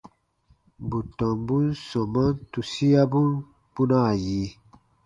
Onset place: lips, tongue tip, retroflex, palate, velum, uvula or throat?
lips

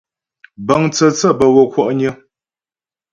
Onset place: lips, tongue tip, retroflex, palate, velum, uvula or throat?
lips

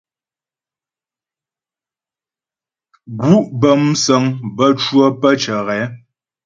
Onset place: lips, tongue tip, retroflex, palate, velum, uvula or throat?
velum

